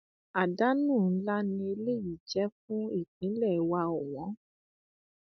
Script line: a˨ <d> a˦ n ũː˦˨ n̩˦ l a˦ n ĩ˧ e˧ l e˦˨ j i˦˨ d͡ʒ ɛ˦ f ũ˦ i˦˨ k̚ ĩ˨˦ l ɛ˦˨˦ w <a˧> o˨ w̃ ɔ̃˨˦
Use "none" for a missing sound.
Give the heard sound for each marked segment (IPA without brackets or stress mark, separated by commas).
d, a˧